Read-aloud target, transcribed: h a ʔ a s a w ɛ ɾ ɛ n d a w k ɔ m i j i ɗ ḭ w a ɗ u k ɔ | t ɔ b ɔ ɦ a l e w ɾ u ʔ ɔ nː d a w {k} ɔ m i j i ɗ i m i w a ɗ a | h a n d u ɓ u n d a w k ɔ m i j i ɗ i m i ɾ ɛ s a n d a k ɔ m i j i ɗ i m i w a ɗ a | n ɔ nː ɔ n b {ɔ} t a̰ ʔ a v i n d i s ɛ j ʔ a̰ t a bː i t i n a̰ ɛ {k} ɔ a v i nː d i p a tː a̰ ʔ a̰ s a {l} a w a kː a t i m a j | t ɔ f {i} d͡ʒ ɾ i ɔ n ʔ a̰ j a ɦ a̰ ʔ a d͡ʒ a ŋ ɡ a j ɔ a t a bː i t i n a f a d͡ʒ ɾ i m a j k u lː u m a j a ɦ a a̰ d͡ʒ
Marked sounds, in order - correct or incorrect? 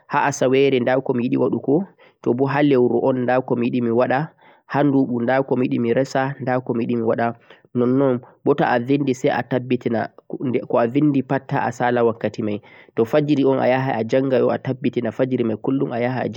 correct, correct, correct, correct, incorrect

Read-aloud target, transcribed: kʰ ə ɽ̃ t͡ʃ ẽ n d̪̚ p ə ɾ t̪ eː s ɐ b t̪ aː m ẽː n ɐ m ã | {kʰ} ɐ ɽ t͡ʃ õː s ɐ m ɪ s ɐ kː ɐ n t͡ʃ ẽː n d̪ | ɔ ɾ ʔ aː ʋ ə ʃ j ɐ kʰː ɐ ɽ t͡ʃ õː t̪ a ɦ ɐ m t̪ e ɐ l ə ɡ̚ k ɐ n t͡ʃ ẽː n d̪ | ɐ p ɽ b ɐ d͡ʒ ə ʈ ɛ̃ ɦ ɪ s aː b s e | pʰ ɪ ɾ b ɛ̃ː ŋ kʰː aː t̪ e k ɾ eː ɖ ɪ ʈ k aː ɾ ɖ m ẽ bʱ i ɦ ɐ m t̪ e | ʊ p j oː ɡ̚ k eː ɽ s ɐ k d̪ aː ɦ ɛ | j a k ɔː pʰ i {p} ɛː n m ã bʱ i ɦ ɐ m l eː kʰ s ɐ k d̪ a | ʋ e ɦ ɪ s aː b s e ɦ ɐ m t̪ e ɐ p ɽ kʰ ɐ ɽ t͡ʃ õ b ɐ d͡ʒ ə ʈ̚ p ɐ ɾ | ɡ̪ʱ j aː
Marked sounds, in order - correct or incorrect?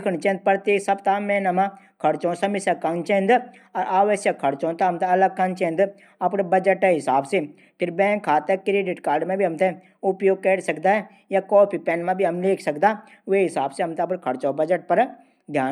correct, correct

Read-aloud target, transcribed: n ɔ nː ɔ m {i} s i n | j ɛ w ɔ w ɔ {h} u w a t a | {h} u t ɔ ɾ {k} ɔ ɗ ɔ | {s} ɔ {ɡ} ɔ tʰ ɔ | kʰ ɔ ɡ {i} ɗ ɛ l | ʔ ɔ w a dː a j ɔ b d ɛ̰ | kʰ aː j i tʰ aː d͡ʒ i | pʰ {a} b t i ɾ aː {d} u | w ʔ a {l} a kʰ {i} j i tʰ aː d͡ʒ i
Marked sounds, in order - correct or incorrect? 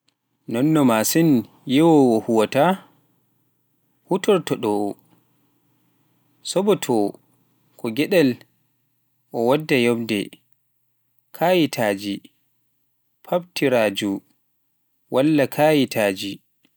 incorrect, correct, correct, incorrect, correct, incorrect, incorrect, correct, incorrect, incorrect, incorrect

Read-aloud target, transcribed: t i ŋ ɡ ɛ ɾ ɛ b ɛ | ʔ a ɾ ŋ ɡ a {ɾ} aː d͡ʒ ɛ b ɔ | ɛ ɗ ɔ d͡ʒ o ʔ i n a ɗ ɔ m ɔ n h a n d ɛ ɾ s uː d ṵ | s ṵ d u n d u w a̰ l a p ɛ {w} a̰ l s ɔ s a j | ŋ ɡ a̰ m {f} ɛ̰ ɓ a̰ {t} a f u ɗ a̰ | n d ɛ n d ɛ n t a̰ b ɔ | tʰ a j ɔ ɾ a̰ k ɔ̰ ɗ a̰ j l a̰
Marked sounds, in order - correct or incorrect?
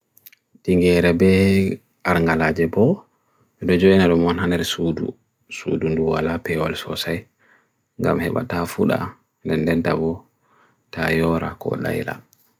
incorrect, correct, incorrect, correct

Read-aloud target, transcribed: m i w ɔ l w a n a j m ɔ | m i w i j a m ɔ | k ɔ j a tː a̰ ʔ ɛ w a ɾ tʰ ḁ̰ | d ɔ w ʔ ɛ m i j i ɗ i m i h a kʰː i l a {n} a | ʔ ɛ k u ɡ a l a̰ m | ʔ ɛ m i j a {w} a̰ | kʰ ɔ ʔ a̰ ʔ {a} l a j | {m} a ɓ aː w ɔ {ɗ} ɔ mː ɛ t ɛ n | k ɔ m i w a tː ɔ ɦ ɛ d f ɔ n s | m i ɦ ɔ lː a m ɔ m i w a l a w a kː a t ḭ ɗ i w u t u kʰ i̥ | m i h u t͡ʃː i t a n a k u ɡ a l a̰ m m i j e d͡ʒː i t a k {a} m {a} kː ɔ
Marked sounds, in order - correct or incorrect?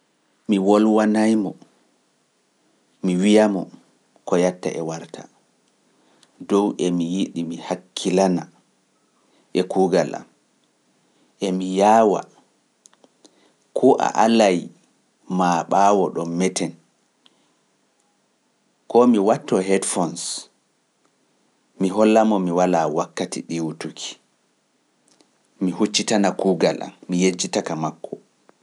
correct, correct, correct, correct, correct, correct, correct

